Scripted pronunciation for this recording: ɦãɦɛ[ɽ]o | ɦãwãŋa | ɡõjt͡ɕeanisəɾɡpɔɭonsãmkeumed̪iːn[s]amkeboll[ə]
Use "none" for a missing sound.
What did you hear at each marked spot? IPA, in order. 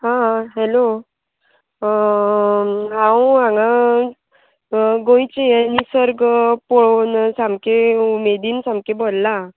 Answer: l, s, a

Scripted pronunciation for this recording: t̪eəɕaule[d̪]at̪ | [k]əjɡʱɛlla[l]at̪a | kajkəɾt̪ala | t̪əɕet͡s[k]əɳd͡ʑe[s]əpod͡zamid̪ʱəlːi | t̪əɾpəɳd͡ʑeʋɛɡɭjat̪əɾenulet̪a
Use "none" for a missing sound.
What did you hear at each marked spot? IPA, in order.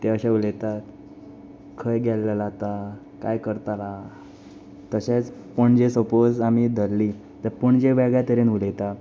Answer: t̪, kʰ, l, p, s

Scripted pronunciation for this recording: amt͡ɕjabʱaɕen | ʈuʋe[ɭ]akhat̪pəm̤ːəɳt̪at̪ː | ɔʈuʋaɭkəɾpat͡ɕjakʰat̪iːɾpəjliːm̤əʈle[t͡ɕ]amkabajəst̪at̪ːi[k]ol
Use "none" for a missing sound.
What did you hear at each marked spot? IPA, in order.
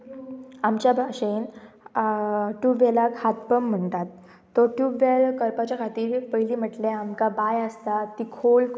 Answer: l, none, kʰ

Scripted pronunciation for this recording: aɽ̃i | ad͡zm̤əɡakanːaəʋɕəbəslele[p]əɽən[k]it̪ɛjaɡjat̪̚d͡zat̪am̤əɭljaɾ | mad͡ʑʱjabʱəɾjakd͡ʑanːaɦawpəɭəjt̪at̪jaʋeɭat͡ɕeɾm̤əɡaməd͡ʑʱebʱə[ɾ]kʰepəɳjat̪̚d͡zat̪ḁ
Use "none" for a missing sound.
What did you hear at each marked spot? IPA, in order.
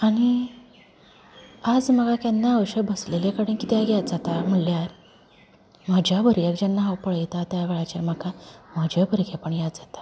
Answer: k, k, ɾ

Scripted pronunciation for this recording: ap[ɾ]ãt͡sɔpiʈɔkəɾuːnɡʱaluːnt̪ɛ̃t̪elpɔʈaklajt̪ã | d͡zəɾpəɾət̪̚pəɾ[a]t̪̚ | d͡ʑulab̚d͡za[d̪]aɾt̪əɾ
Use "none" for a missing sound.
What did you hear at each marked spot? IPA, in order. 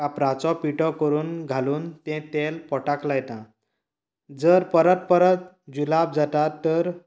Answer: ɾ, ə, t̪

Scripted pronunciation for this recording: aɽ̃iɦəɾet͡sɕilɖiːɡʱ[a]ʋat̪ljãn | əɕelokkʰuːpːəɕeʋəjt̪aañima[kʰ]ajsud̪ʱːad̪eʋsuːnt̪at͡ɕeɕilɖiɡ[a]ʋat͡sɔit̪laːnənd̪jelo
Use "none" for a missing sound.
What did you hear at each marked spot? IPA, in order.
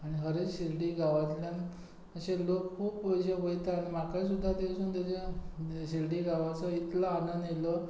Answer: a, k, a

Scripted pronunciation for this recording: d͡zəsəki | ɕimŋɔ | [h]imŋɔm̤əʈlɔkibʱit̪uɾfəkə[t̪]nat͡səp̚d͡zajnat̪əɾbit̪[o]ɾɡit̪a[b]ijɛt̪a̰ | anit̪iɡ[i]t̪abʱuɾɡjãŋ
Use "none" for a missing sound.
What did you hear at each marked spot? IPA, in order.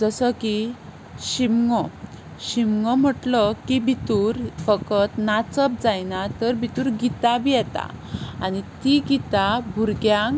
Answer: ɕ, t̪, u, b, i

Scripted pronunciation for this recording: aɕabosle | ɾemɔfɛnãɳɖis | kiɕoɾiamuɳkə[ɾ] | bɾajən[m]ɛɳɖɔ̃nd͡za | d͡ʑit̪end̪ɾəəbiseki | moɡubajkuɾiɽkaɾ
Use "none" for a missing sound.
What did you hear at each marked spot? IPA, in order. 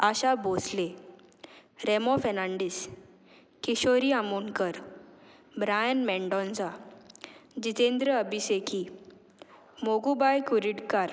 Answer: ɾ, m

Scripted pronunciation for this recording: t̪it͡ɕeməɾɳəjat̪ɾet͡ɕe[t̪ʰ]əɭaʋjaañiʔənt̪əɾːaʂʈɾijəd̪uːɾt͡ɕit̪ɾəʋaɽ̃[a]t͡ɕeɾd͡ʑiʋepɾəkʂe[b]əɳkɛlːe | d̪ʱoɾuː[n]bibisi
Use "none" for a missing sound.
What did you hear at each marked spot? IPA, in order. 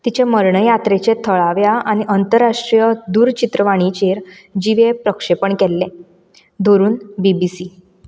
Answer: t̪ʰ, i, p, n

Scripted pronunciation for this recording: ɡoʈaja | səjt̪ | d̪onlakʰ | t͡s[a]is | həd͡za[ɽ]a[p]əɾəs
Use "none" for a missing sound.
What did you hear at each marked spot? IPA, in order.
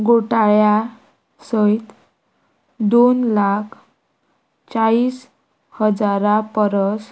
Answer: a, ɾ, p

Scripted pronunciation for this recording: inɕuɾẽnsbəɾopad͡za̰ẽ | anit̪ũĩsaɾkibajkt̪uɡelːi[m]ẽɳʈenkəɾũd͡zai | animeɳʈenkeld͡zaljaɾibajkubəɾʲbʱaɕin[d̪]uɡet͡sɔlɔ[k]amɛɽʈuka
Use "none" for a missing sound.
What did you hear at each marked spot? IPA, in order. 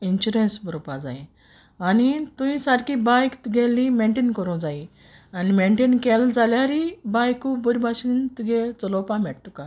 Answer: m, t̪, p

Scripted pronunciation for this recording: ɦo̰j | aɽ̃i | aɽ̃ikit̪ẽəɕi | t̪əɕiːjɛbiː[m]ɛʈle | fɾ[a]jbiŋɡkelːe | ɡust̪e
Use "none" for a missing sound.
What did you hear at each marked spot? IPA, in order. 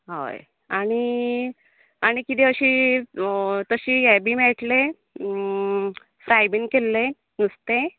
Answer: m, a

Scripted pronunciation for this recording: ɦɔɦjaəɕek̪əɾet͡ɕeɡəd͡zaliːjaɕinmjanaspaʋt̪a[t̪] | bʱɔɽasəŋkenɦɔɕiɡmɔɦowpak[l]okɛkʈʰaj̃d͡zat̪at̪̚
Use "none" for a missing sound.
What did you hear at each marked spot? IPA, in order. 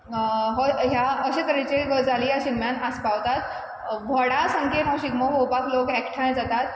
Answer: t̪, l

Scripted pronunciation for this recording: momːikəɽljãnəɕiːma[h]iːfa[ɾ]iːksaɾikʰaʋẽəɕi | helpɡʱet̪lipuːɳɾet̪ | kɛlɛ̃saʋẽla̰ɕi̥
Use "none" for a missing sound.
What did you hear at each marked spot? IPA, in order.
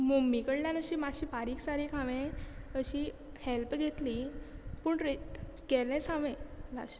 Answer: ɕ, ɾ

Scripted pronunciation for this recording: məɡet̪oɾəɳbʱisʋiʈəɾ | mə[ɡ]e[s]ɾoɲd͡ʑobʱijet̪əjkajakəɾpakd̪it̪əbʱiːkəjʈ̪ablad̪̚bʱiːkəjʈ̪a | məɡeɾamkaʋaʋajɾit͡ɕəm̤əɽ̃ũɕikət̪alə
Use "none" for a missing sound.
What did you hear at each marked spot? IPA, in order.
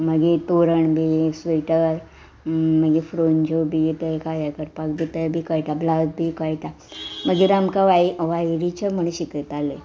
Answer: ɡ, f

